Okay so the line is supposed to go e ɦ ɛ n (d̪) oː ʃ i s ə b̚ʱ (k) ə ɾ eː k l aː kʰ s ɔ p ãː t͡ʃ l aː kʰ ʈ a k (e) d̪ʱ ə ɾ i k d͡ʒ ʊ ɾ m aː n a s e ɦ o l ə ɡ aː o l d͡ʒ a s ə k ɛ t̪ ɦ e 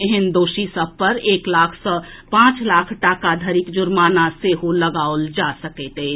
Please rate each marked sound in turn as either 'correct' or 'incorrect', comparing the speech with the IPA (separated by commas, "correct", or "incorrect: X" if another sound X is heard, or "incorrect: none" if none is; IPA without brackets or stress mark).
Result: correct, incorrect: p, incorrect: a